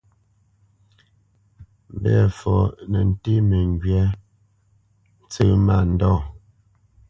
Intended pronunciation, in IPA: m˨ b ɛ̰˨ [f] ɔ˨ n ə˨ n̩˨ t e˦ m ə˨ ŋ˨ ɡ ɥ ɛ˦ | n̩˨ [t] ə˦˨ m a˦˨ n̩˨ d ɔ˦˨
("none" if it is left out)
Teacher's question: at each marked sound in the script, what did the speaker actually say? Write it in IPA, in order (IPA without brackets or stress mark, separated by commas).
f, t͡s